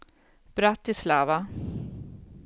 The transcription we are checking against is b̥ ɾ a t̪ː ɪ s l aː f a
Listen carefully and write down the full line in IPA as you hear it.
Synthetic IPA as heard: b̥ ɾ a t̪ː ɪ s l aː v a